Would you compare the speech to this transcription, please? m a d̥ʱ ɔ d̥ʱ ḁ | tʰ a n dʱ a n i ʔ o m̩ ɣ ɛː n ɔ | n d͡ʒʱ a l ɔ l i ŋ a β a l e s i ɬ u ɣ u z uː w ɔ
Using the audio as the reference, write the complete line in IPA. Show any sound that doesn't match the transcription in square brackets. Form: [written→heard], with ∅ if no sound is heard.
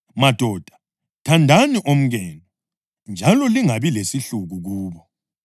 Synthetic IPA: m a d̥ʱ ɔ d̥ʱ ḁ | tʰ a n dʱ a n i ʔ o m̩ ɣ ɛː n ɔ | n d͡ʒʱ a l ɔ l i ŋ a β [a→i] l e s i ɬ u ɣ u [z→ɣ] uː [w→β] ɔ